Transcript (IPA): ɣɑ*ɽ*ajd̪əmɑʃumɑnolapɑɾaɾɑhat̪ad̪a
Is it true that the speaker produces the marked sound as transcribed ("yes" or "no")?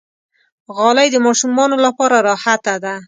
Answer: no